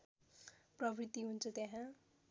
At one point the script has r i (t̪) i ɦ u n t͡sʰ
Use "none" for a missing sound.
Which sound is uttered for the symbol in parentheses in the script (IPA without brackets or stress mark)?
t̪